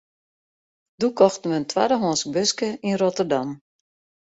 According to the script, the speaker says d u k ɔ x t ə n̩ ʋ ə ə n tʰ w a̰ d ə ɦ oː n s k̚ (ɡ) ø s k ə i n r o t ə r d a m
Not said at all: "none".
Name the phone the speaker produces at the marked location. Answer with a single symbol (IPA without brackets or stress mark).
b